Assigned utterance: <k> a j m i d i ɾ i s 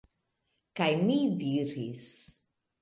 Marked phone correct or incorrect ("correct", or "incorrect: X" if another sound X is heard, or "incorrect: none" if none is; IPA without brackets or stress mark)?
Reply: correct